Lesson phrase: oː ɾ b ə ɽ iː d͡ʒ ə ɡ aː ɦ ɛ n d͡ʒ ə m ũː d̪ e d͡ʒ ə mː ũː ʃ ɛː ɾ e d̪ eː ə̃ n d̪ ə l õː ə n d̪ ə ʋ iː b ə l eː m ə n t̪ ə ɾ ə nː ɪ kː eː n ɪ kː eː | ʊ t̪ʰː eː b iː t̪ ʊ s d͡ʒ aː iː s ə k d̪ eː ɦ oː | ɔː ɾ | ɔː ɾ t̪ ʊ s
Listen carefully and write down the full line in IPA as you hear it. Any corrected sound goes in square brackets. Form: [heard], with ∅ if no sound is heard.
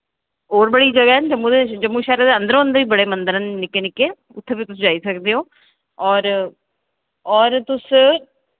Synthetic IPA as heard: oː ɾ b ə ɽ iː d͡ʒ ə ɡ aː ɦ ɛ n d͡ʒ ə m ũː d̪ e d͡ʒ ə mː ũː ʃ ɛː ɾ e d̪ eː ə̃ n d̪ ə [ɾ] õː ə n d̪ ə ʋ iː b ə [ɽ] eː m ə n [d̪] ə ɾ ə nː ɪ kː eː n ɪ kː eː | ʊ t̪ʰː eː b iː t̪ ʊ s d͡ʒ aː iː s ə k d̪ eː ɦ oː | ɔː ɾ | ɔː ɾ t̪ ʊ s